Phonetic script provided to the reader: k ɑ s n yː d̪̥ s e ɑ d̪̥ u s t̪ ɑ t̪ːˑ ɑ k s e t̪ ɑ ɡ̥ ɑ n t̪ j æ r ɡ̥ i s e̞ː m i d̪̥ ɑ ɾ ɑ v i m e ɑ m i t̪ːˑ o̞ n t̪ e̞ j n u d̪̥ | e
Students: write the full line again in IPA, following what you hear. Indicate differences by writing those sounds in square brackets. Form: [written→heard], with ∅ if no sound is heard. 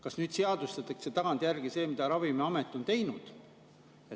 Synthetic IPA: k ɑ s n yː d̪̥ s e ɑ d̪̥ u s t̪ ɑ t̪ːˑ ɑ k s e t̪ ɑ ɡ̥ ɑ n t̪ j æ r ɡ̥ i s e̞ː m i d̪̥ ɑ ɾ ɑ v i m e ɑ m [i→e] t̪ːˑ o̞ n t̪ e̞ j n u d̪̥ | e